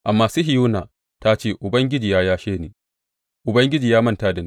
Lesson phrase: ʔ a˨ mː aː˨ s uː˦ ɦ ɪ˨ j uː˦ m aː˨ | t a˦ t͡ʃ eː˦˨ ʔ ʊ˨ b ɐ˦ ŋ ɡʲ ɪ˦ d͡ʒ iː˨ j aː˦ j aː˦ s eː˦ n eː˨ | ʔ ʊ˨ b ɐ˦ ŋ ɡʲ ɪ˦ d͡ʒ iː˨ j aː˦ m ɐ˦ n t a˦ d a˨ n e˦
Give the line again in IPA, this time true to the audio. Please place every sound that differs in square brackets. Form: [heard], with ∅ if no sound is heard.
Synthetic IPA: ʔ a˨ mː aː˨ s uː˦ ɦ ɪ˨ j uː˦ [n] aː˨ | t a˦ t͡ʃ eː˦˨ ʔ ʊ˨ b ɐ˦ ŋ ɡʲ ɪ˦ d͡ʒ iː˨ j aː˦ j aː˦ [ʃ] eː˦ n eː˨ | ʔ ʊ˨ b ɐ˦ ŋ ɡʲ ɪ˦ d͡ʒ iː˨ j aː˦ m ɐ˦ n t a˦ d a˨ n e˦